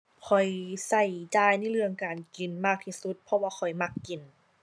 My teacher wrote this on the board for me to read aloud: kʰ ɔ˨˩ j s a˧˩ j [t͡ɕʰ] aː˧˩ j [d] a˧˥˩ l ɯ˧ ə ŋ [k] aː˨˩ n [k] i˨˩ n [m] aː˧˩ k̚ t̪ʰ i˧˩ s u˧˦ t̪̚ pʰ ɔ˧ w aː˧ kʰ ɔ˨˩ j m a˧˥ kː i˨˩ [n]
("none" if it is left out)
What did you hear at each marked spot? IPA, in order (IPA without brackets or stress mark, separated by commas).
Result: t͡ɕ, n, k, k, m, n